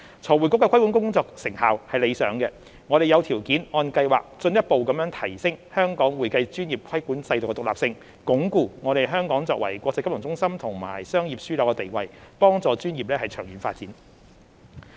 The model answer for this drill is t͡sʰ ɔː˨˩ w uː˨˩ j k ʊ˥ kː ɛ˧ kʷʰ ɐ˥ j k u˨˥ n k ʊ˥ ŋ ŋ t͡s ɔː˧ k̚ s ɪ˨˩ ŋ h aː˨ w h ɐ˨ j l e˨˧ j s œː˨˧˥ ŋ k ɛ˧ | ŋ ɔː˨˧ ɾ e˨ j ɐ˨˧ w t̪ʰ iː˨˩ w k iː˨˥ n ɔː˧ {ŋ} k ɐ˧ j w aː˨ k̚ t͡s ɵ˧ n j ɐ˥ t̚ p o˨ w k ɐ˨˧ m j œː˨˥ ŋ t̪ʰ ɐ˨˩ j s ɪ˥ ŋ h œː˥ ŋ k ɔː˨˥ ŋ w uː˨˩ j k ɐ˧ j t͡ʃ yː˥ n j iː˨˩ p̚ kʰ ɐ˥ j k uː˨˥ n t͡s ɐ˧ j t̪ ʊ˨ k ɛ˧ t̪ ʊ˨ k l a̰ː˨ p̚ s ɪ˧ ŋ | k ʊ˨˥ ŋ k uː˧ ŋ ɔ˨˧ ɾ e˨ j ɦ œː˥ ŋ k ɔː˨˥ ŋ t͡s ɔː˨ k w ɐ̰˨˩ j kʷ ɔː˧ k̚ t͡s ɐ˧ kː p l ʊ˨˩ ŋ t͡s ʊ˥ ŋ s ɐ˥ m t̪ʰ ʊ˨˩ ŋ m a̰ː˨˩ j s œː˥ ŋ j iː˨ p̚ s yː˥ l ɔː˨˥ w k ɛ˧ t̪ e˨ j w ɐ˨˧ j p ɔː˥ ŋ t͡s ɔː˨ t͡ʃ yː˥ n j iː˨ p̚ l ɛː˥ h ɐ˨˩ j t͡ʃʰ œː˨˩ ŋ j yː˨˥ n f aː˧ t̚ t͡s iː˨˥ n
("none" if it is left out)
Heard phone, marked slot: n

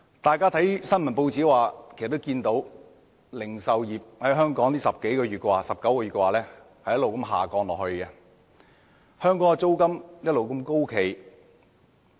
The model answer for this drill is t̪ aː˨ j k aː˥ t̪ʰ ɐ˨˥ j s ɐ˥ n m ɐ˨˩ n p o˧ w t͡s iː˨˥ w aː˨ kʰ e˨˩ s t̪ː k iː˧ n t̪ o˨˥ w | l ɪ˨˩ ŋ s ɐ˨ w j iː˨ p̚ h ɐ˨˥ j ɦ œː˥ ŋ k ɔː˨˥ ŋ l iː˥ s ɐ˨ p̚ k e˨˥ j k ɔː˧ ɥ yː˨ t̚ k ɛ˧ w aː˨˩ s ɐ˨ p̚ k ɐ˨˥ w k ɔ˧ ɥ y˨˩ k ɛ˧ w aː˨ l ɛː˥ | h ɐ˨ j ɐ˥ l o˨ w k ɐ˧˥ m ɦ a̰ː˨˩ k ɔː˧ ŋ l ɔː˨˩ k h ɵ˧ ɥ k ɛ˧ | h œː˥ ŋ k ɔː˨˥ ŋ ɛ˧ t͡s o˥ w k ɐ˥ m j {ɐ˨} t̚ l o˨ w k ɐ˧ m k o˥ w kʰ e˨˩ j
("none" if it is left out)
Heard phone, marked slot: ɐ˥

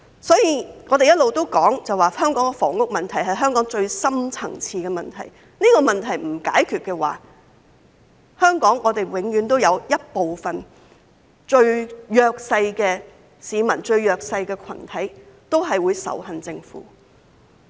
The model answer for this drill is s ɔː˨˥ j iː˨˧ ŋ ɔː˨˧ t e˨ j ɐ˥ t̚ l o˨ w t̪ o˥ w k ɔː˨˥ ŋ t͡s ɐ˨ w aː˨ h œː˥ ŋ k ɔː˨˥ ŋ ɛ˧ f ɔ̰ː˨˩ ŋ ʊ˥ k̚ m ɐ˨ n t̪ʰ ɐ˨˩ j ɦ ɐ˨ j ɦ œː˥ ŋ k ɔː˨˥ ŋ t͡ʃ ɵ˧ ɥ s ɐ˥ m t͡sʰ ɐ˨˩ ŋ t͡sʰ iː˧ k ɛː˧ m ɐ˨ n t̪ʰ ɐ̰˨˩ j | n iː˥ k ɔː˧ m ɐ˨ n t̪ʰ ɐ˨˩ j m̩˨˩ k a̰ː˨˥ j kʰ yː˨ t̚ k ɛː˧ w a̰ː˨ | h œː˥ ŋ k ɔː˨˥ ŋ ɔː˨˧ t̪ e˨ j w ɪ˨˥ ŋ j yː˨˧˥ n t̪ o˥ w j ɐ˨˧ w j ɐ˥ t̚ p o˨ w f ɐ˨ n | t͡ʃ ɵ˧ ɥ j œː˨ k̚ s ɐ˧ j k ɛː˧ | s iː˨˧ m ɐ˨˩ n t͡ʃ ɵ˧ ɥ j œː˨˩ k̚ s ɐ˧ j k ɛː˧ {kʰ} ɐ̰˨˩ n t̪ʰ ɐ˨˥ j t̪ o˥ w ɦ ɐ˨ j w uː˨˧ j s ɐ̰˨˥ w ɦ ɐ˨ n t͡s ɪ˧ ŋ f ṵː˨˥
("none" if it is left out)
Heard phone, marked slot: kʰ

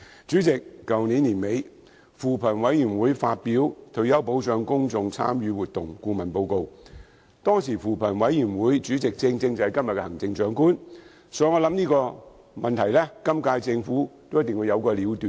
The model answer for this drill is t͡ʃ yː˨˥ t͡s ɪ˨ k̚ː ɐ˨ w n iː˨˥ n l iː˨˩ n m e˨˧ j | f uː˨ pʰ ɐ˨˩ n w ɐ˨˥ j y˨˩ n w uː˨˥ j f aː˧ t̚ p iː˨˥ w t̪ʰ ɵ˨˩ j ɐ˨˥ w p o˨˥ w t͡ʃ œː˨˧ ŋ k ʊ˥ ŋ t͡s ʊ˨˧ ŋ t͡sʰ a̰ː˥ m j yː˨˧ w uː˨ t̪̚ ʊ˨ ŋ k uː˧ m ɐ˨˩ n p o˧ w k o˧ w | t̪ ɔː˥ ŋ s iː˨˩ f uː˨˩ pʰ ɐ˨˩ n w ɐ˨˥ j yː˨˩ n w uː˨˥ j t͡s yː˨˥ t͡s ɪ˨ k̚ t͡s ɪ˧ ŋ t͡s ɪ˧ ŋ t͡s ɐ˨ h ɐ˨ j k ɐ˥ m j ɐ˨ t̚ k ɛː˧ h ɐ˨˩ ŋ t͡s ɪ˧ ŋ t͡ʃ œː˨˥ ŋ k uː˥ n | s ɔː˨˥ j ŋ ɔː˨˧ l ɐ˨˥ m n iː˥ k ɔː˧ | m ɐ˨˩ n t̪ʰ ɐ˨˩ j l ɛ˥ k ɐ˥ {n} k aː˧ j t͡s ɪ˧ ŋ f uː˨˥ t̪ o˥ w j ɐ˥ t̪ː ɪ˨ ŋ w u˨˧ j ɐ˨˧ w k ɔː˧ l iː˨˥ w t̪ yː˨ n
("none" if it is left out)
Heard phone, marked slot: m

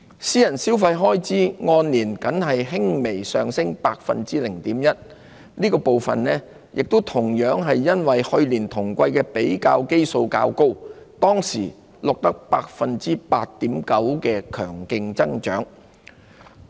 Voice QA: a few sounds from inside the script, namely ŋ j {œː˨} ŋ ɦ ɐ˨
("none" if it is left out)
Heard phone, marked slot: œː˨˥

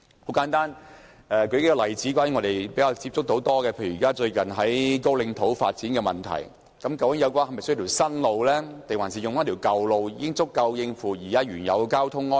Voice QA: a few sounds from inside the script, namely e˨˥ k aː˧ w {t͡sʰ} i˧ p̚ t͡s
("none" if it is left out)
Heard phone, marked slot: t͡s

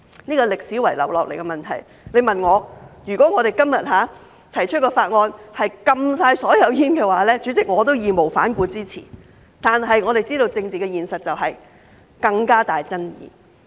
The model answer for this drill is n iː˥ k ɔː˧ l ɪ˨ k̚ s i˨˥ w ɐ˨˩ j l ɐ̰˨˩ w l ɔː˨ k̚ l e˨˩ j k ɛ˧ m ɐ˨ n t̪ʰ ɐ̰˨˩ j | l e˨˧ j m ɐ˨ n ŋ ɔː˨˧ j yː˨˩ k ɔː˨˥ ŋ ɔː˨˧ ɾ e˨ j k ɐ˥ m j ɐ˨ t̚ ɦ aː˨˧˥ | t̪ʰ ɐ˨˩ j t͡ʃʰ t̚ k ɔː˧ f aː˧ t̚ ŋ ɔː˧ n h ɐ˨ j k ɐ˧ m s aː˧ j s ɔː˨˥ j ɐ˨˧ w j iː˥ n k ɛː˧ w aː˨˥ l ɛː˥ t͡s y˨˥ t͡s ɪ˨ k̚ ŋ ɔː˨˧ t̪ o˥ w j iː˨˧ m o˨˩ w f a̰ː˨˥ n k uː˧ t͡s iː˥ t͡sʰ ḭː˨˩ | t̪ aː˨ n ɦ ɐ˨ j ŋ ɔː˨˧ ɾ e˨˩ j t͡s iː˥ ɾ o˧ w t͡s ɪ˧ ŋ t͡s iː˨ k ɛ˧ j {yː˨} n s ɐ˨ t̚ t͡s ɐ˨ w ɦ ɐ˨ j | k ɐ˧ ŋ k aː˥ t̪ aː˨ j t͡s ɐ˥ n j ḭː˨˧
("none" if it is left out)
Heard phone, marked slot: iː˨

